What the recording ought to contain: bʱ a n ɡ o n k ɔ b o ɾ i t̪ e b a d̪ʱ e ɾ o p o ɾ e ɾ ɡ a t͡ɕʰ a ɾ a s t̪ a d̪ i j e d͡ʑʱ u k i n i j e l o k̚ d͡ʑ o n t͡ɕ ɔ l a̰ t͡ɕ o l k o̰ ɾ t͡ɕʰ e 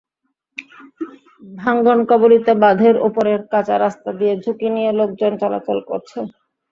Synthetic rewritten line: bʱ a ŋ ɡ o n k ɔ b o ɾ i t̪ e b a d̪ʱ e ɾ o p o ɾ e ɾ k a t͡ɕ a ɾ a s t̪ a d̪ i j e d͡ʑʱ u k i n i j e l o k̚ d͡ʑ o n t͡ɕ ɔ l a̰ t͡ɕ o l k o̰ ɾ t͡ɕʰ e

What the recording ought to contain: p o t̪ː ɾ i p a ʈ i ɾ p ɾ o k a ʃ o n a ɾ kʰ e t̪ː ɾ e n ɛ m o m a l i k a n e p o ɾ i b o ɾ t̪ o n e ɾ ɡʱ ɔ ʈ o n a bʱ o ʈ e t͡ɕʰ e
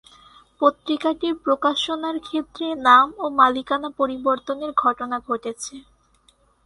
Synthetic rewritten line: p o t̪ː ɾ i k a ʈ i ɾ p ɾ o k a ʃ o n a ɾ kʰ e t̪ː ɾ e n a m o m a l i k a n a p o ɾ i b o ɾ t̪ o n e ɾ ɡʱ ɔ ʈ o n a ɡʱ o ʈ e t͡ɕʰ e

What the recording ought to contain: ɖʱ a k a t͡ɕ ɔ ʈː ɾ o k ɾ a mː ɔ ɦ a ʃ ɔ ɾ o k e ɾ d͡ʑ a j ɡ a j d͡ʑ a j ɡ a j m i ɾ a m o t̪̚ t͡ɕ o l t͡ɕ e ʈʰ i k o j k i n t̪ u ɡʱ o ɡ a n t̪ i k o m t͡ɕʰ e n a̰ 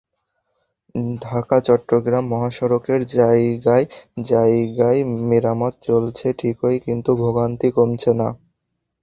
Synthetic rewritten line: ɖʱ a k a t͡ɕ ɔ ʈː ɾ o ɡ ɾ a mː ɔ ɦ a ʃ ɔ ɾ o k e ɾ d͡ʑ a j ɡ a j d͡ʑ a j ɡ a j m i ɾ a m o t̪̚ t͡ɕ o l t͡ɕʰ e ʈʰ i k o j k i n t̪ u bʱ o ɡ a n t̪ i k o m t͡ɕʰ e n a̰

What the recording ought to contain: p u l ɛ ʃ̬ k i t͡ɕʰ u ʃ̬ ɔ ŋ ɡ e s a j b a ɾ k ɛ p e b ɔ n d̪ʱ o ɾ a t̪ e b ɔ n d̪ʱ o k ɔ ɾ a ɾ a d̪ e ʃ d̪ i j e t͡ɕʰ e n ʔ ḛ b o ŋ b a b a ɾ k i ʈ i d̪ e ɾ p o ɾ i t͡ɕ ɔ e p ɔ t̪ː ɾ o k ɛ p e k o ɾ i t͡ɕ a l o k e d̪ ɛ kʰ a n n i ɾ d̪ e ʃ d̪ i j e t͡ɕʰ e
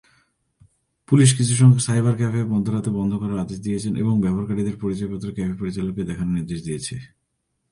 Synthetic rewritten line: p u l i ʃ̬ k i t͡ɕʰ u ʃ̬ ɔ ŋ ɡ e s a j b a ɾ k ɛ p e b ɔ n d̪ʱ o ɾ a t̪ e b ɔ n d̪ʱ o k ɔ ɾ a ɾ a d̪ e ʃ d̪ i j e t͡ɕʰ e n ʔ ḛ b o ŋ b ɛ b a ɾ k a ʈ i d̪ e ɾ p o ɾ i t͡ɕ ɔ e p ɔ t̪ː ɾ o k ɛ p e p o ɾ i t͡ɕ a l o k e d̪ ɛ kʰ a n n i ɾ d̪ e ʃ d̪ i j e t͡ɕʰ e

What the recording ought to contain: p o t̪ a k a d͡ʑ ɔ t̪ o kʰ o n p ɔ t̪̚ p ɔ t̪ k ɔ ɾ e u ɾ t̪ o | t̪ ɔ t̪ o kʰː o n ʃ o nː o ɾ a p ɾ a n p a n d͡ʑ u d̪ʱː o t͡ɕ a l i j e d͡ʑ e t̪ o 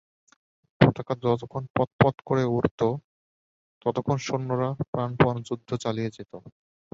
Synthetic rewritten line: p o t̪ a k a d͡ʑ ɔ t̪ o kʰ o n p ɔ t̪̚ p ɔ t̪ k o ɾ e u ɾ t̪ o | t̪ ɔ t̪ o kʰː o n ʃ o nː o ɾ a p ɾ a n p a n d͡ʑ u d̪ʱː o t͡ɕ a l i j e d͡ʑ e t̪ o

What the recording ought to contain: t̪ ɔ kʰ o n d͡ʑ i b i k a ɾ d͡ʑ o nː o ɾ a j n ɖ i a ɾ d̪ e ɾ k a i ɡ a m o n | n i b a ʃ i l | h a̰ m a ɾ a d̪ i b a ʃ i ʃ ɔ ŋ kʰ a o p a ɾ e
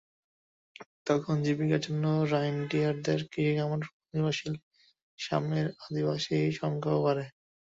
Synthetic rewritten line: t̪ ɔ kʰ o n d͡ʑ i b i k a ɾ d͡ʑ o nː o ɾ a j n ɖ i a ɾ d̪ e ɾ k i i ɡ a m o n | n i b a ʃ i l | ʃ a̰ m e ɾ a d̪ i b a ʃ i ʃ ɔ ŋ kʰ a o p a ɾ e

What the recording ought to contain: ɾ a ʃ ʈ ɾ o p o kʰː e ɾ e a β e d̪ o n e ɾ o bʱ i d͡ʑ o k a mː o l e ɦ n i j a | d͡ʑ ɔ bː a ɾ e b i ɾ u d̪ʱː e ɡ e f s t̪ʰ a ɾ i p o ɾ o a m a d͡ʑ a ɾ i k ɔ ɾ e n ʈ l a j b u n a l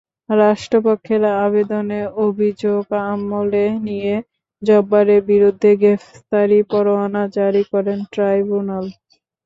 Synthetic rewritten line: ɾ a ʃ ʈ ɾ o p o kʰː e ɾ a a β e d̪ o n e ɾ o bʱ i d͡ʑ o ɡ a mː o l e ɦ n i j e | d͡ʑ ɔ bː a ɾ e b i ɾ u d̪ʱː e ɡ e f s t̪ a ɾ i p ɔ ɾ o a n a d͡ʑ a ɾ i k ɔ ɾ e n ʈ ɾ a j b u n a l

